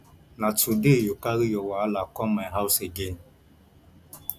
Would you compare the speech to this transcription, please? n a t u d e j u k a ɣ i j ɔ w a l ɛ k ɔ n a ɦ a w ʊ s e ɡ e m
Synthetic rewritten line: n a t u d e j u k a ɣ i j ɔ w a l a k ɔ m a ɦ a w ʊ s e ɡ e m